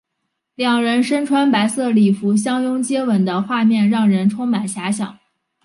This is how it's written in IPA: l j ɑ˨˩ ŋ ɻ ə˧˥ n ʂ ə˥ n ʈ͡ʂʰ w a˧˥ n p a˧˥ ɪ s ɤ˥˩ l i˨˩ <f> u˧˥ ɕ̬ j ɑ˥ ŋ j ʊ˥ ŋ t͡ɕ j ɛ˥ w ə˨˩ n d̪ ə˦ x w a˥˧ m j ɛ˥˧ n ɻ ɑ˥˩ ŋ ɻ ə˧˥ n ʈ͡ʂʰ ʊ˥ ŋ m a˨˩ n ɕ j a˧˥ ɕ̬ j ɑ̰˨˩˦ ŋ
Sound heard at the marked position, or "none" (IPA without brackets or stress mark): f